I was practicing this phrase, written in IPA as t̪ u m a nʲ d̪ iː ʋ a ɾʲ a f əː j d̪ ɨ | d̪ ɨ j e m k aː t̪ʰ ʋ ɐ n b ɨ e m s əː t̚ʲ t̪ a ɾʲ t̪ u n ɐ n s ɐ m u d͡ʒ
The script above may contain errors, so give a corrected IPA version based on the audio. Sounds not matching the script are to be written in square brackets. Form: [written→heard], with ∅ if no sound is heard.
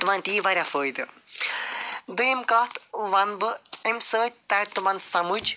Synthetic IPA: t̪ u m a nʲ [d̪→t̪] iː ʋ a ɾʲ a f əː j d̪ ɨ | d̪ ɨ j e m k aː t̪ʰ ʋ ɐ n b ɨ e m s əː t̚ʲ t̪ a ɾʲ t̪ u [n→m] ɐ n s ɐ m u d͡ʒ

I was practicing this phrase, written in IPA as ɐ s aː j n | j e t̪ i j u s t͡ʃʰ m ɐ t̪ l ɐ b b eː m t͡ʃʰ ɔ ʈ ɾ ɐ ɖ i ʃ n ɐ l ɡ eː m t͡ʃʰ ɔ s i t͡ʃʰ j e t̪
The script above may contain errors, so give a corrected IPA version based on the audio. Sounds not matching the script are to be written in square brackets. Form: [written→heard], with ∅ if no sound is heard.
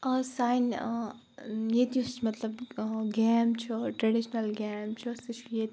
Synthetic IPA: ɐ s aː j n | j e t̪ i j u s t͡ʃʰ m ɐ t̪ l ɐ b [b→ɡ] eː m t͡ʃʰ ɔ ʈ ɾ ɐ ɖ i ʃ n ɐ l ɡ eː m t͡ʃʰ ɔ s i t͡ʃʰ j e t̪

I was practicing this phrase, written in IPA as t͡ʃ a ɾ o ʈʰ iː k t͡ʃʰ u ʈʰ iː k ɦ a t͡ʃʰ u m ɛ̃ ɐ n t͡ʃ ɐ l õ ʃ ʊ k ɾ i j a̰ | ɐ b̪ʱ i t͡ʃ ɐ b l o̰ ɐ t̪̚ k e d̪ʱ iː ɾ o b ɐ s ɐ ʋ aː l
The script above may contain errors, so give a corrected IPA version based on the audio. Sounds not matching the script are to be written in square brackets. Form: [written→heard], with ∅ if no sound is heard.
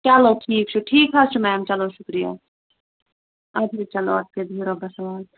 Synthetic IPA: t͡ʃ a [ɾ→l] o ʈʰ iː k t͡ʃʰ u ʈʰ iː k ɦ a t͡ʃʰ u m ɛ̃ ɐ [n→m] t͡ʃ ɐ l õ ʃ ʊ k ɾ i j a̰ | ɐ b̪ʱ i t͡ʃ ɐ [b→∅] l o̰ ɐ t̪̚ k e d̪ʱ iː ɾ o b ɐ s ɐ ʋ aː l

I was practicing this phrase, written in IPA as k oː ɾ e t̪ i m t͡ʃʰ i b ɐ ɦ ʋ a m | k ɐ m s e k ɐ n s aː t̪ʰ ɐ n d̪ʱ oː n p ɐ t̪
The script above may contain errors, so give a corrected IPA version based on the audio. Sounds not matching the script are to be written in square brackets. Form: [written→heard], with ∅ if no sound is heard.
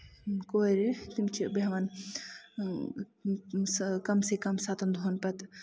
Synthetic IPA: k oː ɾ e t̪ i m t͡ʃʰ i b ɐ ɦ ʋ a [m→n] | k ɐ m s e k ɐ [n→m] s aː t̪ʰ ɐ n d̪ʱ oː n p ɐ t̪

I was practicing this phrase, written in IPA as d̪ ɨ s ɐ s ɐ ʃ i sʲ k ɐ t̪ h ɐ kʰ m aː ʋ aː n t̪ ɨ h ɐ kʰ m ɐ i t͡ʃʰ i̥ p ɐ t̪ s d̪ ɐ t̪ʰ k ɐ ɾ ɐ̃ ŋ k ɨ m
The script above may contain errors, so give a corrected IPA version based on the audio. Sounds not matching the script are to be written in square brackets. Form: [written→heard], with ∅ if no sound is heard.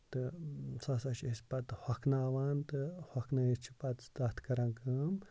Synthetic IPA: [d̪→t̪] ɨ s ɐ s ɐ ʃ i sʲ [k→p] ɐ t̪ h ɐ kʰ [m→n] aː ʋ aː n t̪ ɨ h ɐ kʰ [m→n] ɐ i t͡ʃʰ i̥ p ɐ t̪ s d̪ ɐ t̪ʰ k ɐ ɾ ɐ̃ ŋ k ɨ m

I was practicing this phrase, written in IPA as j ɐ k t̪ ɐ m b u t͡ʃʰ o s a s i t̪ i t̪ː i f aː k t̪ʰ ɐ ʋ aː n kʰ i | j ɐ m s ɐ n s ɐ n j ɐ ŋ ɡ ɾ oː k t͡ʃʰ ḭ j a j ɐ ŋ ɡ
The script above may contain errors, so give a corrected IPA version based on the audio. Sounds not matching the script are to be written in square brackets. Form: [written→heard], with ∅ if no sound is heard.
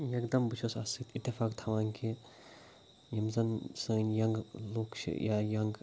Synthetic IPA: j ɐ k [t̪→d̪] ɐ m b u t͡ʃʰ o s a s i t̪ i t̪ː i f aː k t̪ʰ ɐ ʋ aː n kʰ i | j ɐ m [s→z] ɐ n s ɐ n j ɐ ŋ ɡ [ɾ→l] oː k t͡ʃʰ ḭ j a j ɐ ŋ ɡ

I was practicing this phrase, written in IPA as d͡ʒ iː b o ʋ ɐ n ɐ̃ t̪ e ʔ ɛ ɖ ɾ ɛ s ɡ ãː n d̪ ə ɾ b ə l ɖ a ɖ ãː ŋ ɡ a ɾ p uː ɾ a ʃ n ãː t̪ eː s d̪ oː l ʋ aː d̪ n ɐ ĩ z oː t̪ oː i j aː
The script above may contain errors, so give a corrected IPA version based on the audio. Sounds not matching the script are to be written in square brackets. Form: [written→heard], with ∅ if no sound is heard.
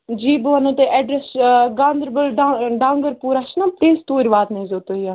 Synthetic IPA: d͡ʒ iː b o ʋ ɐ n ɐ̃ t̪ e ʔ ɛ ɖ ɾ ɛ s ɡ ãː n d̪ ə ɾ b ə l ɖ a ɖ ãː ŋ ɡ [a→ə] ɾ p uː ɾ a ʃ n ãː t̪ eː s [d̪→t̪] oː [l→ɾ] ʋ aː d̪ n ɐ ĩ z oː t̪ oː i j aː

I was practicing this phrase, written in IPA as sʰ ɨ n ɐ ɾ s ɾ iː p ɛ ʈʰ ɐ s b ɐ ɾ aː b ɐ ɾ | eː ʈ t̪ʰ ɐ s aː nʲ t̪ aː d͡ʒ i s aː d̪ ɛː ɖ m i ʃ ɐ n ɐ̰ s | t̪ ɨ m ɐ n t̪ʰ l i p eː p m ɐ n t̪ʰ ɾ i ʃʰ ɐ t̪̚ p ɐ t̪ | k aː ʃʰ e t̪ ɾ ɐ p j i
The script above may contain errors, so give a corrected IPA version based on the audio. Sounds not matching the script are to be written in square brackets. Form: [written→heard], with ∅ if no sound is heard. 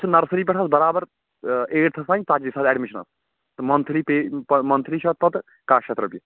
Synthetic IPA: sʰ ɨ n ɐ ɾ s ɾ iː p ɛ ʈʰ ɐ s b ɐ ɾ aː b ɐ ɾ | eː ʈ t̪ʰ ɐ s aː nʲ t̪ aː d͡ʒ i s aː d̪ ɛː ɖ m i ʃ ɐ n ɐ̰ s | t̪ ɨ m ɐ n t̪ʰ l i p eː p m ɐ n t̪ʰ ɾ i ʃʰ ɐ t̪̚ p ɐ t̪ | k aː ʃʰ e t̪ ɾ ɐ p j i

